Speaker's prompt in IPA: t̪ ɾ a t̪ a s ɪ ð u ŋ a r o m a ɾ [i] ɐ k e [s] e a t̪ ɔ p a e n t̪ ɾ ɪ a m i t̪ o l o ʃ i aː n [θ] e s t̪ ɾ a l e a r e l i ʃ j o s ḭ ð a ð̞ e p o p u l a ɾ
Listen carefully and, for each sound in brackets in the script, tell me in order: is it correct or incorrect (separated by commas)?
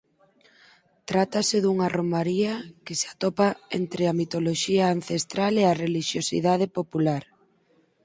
correct, correct, correct